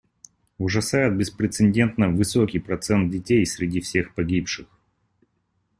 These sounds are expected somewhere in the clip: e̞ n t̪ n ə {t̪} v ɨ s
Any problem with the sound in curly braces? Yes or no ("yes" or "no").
yes